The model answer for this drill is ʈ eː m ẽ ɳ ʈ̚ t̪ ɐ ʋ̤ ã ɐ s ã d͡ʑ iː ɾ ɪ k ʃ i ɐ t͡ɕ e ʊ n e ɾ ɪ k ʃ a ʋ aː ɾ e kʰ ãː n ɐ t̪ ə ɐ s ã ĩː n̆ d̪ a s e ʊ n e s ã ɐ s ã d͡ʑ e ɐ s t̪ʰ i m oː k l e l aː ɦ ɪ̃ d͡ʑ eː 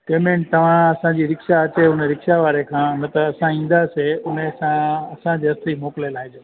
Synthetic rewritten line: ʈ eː m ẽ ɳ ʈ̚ t̪ ɐ ʋ̤ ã ɐ s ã d͡ʑ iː ɾ ɪ k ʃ a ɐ t͡ɕ e ʊ n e ɾ ɪ k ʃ a ʋ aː ɾ e kʰ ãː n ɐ t̪ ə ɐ s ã ĩː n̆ d̪ a s e ʊ n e s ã ɐ s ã d͡ʑ e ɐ s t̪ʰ i m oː k l e l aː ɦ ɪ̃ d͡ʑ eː